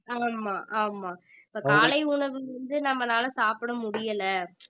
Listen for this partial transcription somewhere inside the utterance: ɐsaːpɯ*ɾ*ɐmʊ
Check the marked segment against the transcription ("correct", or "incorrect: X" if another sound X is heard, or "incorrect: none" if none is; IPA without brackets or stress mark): incorrect: ɽ